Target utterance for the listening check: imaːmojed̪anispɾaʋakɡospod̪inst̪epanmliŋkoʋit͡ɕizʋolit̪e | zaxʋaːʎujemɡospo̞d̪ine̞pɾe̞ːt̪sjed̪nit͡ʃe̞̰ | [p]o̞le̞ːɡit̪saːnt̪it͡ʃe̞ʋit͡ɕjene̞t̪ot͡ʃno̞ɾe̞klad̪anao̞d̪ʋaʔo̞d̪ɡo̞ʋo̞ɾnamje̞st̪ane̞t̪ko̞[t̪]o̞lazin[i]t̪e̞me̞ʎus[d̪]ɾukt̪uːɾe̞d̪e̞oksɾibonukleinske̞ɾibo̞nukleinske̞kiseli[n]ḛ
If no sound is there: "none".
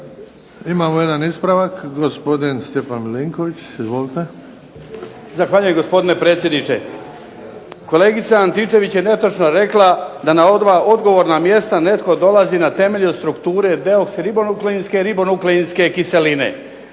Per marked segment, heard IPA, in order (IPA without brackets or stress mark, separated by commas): k, d̪, a, t̪, n